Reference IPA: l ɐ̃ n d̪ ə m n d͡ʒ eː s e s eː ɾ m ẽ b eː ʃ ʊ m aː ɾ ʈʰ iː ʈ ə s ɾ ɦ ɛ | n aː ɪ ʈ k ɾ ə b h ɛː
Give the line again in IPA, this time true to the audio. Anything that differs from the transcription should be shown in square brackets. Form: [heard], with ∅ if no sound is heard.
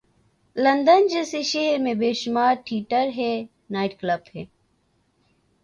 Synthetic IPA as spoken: l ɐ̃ n d̪ ə [∅] n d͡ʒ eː s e [ʃ] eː ɾ m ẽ b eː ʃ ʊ m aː ɾ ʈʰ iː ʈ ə [∅] ɾ ɦ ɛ | n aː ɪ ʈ k [l] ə b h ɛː